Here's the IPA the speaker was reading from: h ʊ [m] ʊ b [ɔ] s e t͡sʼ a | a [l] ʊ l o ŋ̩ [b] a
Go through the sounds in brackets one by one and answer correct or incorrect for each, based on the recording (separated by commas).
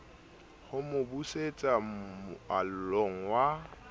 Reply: correct, incorrect, correct, incorrect